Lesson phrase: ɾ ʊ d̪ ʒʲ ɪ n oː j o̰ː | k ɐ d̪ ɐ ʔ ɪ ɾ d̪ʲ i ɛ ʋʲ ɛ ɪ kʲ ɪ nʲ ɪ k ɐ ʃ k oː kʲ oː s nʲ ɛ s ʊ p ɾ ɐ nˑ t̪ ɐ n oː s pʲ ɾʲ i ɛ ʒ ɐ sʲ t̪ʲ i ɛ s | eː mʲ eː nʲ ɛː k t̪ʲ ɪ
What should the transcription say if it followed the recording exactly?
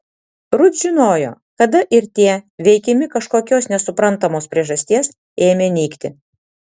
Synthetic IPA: ɾ ʊ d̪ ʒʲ ɪ n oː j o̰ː | k ɐ d̪ ɐ ʔ ɪ ɾ t̪ʲ i ɛ ʋʲ ɛ ɪ kʲ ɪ mʲ ɪ k ɐ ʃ k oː kʲ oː s nʲ ɛ s ʊ p ɾ ɐ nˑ t̪ ɐ m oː s pʲ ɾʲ i ɛ ʒ ɐ sʲ t̪ʲ i ɛ s | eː mʲ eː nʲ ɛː k t̪ʲ ɪ